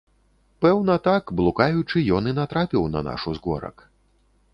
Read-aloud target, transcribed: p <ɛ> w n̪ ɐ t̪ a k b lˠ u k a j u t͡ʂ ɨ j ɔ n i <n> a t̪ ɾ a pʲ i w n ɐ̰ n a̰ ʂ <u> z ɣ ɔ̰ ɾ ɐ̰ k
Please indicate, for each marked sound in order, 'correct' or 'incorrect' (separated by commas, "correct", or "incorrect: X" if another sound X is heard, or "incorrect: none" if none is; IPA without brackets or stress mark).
correct, correct, correct